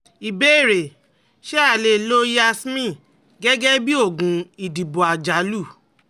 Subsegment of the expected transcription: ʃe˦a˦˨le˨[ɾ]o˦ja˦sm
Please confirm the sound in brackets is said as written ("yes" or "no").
no